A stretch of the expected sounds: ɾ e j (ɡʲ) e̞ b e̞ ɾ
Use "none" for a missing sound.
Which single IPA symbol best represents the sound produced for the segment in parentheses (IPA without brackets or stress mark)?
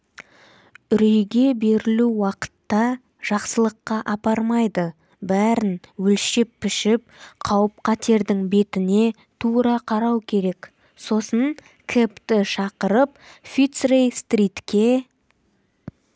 ɡʲ